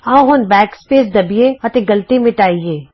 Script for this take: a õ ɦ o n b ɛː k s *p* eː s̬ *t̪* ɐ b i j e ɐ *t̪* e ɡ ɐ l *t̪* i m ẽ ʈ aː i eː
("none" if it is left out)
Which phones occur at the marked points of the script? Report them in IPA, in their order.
p, d̪, t̪, t̪

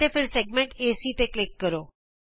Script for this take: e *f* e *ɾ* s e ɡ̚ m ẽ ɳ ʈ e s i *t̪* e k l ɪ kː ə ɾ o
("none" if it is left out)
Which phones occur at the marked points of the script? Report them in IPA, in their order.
f, ɾ, t̪

